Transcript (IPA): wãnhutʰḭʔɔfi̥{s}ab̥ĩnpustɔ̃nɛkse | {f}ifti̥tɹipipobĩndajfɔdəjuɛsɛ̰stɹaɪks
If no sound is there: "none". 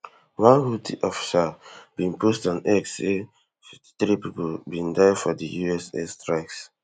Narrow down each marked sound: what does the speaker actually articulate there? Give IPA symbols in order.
s, f

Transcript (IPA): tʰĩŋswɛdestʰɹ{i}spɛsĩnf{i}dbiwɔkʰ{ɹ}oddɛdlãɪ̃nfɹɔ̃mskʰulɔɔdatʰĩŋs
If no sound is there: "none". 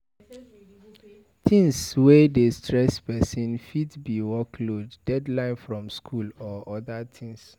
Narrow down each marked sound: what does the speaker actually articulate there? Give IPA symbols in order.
ɛ, i, l

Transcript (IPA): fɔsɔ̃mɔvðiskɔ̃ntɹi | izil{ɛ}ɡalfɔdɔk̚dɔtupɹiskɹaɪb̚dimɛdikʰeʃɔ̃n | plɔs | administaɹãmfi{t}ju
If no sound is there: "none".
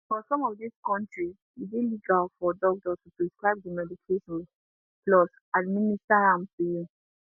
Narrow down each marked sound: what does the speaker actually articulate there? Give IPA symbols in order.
i, none

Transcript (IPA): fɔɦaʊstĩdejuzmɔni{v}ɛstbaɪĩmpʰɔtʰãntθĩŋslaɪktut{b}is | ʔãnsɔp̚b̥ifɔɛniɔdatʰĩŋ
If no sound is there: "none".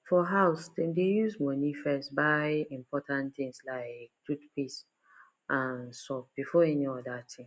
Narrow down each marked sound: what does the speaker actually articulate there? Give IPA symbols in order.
f, p

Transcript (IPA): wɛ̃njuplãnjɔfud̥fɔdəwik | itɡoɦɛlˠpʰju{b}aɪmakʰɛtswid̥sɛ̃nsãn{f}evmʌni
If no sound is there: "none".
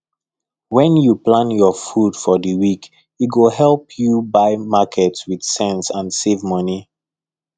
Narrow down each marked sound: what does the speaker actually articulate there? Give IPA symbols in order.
b, s

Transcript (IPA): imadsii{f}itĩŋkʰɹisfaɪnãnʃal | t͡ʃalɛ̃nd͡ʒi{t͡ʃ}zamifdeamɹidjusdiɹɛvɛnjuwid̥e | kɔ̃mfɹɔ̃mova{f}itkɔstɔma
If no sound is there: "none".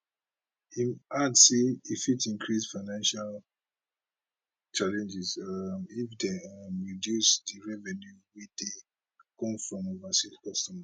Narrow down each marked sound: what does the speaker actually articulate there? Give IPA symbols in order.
f, none, s

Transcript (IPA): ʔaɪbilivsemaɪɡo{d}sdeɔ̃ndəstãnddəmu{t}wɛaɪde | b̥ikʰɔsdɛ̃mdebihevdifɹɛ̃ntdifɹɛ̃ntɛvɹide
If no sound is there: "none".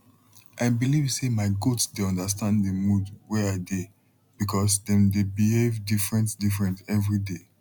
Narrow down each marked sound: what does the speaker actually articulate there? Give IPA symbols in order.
t, d

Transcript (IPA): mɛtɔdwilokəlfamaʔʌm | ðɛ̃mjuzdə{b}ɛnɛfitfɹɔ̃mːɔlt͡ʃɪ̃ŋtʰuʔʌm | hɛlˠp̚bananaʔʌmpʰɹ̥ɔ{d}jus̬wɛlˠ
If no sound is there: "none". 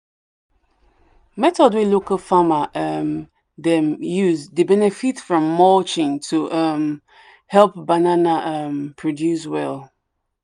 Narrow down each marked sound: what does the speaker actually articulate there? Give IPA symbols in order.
b, d

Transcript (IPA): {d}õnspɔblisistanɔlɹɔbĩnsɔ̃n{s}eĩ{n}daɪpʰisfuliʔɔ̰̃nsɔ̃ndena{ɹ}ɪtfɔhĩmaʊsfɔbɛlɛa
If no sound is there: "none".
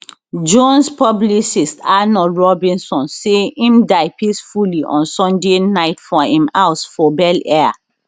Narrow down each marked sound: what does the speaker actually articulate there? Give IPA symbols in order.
d͡ʒ, s, m, none

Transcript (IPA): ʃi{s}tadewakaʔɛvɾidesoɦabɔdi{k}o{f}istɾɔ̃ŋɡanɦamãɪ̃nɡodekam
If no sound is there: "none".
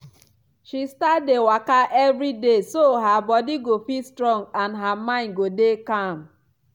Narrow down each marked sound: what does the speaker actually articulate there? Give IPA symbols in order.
s, ɡ, f

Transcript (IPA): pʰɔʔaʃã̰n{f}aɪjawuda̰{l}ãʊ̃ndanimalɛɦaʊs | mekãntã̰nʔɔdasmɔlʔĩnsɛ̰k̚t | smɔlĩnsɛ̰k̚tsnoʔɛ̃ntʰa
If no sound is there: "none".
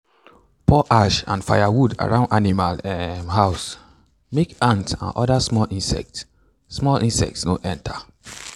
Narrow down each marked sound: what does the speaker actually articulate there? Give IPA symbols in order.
f, ɹ

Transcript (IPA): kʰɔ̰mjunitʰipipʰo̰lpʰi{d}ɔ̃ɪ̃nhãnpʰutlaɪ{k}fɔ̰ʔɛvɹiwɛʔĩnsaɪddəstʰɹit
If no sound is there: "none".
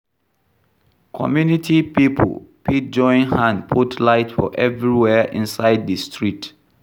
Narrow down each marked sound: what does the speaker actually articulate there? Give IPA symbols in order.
d͡ʒ, t

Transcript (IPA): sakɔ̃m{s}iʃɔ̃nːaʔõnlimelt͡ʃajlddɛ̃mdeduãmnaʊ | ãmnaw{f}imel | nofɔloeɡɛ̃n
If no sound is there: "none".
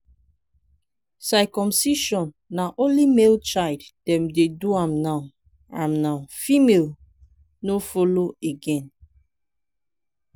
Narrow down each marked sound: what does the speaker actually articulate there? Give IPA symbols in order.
s, f

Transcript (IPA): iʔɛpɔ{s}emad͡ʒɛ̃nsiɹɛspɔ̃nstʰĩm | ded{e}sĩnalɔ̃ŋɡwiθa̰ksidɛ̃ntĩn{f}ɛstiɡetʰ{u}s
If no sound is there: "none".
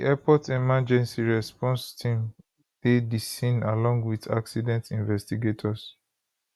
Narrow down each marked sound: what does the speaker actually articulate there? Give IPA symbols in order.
t, i, v, ɔ

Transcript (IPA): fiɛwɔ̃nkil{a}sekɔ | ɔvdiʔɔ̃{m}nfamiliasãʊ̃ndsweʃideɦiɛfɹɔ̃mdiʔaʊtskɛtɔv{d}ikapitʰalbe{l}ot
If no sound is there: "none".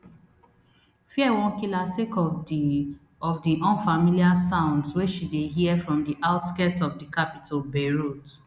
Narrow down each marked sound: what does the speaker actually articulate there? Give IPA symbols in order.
a, none, d, ɹ

